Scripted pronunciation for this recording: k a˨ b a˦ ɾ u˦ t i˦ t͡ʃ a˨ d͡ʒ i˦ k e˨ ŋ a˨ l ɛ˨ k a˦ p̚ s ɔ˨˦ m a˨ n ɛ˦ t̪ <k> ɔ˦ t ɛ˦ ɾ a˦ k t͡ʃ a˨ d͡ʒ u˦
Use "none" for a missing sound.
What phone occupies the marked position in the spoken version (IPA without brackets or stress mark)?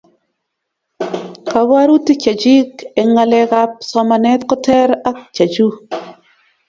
k